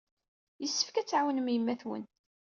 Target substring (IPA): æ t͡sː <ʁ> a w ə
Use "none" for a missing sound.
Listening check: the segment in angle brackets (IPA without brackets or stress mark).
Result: ʕ